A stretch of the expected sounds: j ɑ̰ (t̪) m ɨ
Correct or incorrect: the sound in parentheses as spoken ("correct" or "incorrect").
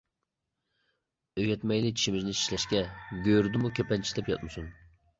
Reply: correct